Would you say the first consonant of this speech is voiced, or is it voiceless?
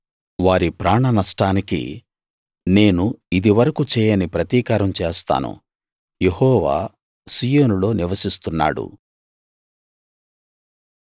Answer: voiced